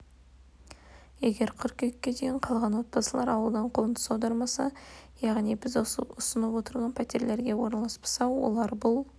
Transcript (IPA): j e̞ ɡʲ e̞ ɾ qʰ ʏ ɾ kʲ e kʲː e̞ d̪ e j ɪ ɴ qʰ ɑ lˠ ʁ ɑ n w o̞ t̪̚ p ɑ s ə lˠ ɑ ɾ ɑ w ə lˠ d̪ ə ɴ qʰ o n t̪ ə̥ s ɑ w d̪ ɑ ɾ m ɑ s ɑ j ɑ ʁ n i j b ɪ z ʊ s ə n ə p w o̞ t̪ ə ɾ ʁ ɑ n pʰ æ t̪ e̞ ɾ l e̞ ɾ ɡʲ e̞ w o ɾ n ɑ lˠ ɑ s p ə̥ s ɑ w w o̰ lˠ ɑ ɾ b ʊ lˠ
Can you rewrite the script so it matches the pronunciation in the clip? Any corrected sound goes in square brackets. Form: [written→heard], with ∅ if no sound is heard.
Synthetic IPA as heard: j e̞ ɡʲ e̞ ɾ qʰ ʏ ɾ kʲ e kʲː e̞ d̪ e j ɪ ɴ qʰ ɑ lˠ ʁ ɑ n w o̞ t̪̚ p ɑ s ə lˠ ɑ ɾ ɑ w ə lˠ d̪ [ə→ɑ] ɴ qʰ o n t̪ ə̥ s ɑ w d̪ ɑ ɾ m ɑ s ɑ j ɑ ʁ n i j b ɪ z ʊ s ə n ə p w o̞ t̪ ə ɾ ʁ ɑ n pʰ æ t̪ e̞ ɾ l e̞ ɾ ɡʲ e̞ w o ɾ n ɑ lˠ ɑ s p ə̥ s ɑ w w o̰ lˠ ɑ ɾ b ʊ lˠ